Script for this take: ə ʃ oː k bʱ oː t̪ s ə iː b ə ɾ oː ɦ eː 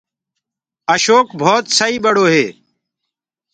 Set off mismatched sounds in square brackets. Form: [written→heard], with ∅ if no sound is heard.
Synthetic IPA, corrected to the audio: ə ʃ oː k bʱ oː t̪ s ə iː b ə [ɾ→ɽ] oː ɦ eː